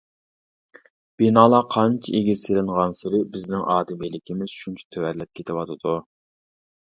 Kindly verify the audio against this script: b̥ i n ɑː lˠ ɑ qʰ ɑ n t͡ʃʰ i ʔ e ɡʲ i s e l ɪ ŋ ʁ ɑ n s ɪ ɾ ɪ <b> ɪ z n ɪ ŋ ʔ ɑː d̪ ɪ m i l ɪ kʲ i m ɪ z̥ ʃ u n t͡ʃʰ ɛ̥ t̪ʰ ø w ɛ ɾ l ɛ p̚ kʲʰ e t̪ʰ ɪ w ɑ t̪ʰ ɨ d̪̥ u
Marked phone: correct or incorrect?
correct